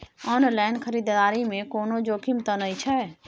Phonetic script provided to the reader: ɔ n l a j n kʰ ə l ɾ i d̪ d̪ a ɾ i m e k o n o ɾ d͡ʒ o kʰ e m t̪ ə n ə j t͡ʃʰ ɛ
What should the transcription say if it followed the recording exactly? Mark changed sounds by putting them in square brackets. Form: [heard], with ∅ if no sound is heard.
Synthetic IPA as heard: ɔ n l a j n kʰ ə [∅] ɾ i d̪ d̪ a ɾ i m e k o n o [∅] d͡ʒ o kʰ [i] m t̪ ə n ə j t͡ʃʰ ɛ